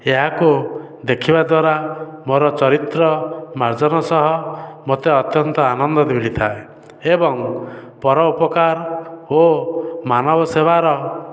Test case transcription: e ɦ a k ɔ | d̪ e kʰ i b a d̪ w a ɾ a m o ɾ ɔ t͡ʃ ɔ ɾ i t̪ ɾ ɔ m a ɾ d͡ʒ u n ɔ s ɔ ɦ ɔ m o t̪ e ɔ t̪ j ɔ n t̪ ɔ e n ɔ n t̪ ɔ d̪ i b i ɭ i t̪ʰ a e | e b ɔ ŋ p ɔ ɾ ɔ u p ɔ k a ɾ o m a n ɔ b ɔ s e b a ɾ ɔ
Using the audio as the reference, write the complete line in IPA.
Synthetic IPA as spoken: e ɦ a k u | d̪ e kʰ i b a d̪ w a ɾ a m o ɾ ɔ t͡ʃ ɔ ɾ i t̪ ɾ ɔ m a ɾ d͡ʒ ɔ n ɔ s ɔ ɦ ɔ m o t̪ e ɔ t̪ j ɔ n t̪ ɔ a n ɔ n d̪ ɔ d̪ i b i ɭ i t̪ʰ a e | e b ɔ ŋ p ɔ ɾ ɔ u p ɔ k a ɾ o m a n ɔ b ɔ s e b a ɾ ɔ